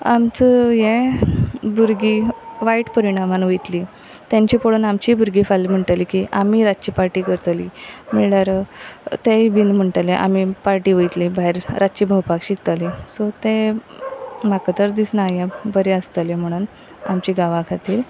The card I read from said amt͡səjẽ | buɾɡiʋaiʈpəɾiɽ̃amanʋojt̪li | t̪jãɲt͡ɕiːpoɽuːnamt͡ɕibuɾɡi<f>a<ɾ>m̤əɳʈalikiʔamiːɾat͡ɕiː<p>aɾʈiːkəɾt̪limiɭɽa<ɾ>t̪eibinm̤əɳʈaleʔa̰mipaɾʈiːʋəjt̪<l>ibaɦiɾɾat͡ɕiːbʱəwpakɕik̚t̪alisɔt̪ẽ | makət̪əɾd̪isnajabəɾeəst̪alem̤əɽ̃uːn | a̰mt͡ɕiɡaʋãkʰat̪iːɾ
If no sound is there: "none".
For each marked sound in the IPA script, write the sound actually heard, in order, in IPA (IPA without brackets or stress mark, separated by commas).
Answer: f, l, p, ɾ, l